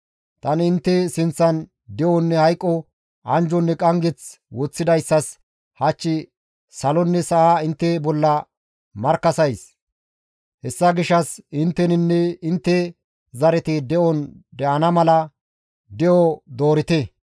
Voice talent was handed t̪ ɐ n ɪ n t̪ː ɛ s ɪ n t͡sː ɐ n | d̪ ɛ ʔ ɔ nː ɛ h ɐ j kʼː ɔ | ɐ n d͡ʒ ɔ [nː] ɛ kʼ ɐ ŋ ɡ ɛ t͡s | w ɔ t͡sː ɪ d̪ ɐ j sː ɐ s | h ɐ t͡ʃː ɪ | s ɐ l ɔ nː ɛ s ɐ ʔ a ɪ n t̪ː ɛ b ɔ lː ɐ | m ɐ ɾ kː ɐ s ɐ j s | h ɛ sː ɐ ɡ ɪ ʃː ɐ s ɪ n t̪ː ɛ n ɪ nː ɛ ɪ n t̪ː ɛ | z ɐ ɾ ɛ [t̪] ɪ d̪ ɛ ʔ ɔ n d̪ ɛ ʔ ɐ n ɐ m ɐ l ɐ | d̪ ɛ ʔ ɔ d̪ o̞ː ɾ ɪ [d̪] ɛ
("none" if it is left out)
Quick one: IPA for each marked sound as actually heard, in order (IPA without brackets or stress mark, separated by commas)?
nː, t̪, t̪